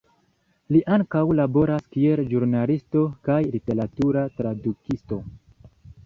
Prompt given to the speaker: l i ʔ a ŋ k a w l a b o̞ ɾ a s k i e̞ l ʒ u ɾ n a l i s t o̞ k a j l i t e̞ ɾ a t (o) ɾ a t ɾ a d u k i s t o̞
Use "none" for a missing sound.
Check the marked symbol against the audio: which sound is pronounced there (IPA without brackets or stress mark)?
u